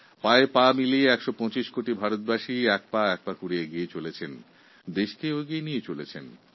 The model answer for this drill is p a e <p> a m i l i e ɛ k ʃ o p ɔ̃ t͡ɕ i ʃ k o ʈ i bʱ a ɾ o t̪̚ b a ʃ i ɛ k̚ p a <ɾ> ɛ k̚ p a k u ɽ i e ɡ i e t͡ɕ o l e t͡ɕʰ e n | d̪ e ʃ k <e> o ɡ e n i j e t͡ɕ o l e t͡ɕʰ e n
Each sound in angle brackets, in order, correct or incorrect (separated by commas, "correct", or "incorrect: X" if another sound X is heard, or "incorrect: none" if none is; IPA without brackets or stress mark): correct, incorrect: none, correct